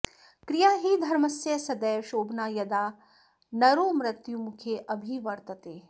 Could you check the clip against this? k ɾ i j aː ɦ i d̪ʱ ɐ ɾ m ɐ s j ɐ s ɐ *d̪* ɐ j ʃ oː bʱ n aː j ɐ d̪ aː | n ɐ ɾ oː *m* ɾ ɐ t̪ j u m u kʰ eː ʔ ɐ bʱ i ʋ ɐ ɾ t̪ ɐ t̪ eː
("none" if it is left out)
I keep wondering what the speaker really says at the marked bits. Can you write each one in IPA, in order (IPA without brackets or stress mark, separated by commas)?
d̪, m